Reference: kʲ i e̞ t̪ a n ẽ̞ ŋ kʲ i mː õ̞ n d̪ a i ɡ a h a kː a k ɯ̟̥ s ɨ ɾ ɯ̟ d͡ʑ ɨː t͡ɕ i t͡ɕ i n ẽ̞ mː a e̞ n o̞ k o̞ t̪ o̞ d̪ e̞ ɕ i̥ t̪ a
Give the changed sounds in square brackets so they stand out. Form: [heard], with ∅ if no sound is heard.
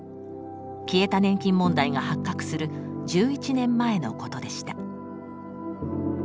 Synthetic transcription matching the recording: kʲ i e̞ t̪ a n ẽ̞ ŋ kʲ [ĩ] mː õ̞ n d̪ a i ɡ a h a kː a k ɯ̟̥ s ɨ ɾ ɯ̟ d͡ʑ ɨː [∅] i t͡ɕ i n ẽ̞ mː a e̞ n o̞ k o̞ t̪ o̞ d̪ e̞ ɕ i̥ t̪ a